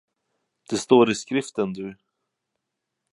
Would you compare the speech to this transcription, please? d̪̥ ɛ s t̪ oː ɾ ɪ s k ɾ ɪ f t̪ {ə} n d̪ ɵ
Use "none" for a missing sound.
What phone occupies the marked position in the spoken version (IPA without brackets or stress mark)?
ə